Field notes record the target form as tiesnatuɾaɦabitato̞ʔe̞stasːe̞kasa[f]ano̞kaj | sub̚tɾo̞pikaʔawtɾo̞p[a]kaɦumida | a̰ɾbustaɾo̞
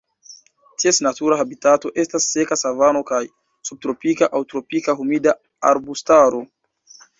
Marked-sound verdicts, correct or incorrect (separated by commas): incorrect, incorrect